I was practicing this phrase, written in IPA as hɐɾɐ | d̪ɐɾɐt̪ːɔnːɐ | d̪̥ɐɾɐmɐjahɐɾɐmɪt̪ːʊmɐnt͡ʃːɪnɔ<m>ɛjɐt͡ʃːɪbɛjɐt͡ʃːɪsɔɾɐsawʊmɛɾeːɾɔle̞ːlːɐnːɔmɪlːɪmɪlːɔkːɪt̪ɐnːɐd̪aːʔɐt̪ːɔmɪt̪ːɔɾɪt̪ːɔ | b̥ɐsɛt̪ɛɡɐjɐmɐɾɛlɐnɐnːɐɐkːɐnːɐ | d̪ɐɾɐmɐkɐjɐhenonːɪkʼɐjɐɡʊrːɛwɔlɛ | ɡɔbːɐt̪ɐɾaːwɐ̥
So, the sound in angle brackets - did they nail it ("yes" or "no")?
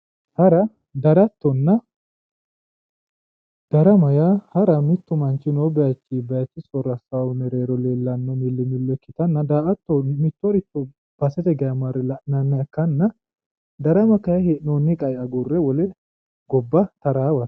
no